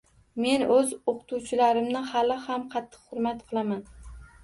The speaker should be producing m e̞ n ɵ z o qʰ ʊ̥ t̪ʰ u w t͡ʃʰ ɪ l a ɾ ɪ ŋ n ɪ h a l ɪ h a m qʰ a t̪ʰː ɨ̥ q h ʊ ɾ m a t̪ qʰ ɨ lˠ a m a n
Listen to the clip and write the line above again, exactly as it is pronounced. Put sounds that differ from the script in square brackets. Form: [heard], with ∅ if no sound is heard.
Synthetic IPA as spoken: m e̞ n ɵ z o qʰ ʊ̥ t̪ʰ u w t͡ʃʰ ɪ l a ɾ ɪ [m] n ɪ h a l ɪ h a m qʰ [ɑ] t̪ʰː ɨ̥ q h ʊ ɾ m a t̪ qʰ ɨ lˠ a m a n

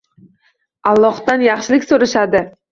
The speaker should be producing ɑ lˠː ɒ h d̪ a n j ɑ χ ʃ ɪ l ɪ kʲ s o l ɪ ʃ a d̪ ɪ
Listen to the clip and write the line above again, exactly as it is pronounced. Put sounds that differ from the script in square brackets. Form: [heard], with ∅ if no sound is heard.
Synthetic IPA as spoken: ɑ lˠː ɒ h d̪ a n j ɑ χ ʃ ɪ l ɪ kʲ s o [ɾ] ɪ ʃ a d̪ ɪ

